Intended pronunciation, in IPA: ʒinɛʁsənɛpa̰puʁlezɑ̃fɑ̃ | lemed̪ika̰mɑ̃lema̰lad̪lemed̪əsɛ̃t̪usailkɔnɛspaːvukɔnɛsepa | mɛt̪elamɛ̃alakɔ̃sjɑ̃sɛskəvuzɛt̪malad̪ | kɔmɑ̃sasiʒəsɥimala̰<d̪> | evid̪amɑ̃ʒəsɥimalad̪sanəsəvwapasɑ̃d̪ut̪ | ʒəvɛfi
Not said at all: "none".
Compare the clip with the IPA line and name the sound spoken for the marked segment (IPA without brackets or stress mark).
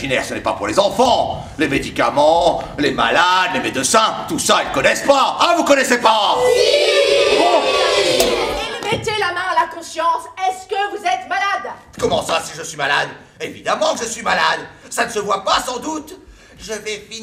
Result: d̪